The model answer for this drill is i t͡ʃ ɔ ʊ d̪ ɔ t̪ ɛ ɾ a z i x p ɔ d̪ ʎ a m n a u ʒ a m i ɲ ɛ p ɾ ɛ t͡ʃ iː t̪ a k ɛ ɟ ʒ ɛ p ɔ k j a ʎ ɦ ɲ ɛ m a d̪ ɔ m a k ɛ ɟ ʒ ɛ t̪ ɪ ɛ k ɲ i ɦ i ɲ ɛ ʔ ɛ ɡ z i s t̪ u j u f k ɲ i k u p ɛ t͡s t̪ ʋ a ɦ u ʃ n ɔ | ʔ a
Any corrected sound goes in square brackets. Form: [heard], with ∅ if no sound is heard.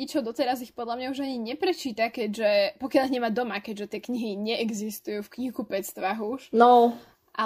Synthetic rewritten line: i t͡ʃ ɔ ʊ d̪ ɔ t̪ ɛ ɾ a z i x p ɔ d̪ ʎ a m [ɲ] a u ʒ a [ɲ] i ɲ ɛ p ɾ ɛ t͡ʃ iː t̪ a k ɛ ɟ ʒ ɛ p ɔ k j a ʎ ɦ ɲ ɛ m a d̪ ɔ m a k ɛ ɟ ʒ ɛ t̪ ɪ ɛ k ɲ i ɦ i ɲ ɛ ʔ ɛ ɡ z i s t̪ u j u f k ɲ i k u p ɛ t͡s t̪ ʋ a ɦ u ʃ n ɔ | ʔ a